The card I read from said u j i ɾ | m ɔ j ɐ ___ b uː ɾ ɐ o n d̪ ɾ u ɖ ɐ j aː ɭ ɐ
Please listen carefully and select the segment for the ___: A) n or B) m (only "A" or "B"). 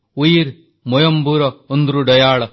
B